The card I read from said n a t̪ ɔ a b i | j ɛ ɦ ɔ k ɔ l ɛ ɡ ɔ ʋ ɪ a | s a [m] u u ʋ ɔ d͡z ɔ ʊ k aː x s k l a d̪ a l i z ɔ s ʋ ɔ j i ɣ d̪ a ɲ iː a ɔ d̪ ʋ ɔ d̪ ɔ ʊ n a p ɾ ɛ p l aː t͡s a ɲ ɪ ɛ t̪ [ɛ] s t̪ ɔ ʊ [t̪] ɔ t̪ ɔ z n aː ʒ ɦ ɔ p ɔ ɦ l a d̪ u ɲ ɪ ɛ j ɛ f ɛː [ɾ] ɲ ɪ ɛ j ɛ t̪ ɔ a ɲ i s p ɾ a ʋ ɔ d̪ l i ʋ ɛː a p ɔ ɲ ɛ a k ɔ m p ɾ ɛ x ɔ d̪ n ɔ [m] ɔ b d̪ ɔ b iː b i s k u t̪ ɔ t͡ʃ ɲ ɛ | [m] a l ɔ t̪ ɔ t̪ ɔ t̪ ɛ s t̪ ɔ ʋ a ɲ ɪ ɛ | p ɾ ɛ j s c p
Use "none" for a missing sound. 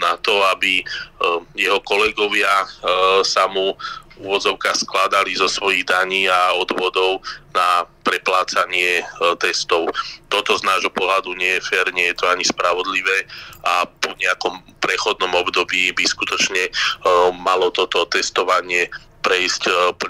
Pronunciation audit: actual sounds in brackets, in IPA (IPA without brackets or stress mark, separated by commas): m, ɛ, t̪, ɾ, m, m